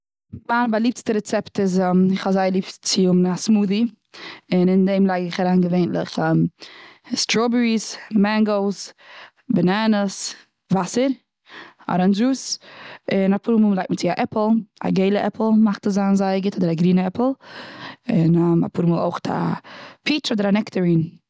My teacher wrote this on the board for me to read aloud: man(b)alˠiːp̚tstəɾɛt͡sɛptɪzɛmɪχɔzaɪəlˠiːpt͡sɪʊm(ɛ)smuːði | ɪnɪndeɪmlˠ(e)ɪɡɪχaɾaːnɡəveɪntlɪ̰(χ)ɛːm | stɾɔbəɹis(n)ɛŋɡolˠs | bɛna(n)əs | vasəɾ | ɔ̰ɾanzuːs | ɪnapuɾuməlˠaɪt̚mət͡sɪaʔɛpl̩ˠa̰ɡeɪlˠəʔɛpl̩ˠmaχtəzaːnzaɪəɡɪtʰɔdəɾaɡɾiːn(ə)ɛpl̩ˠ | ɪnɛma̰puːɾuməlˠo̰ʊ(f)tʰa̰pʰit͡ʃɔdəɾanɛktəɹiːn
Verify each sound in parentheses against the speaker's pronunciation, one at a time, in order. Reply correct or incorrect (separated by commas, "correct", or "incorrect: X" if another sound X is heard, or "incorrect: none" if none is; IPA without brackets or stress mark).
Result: correct, incorrect: a, incorrect: a, correct, incorrect: m, correct, correct, incorrect: χ